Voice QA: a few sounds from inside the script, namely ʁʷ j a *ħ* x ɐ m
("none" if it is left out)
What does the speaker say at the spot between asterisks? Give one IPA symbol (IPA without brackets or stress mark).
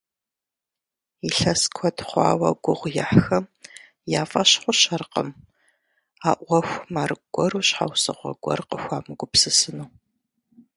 ħ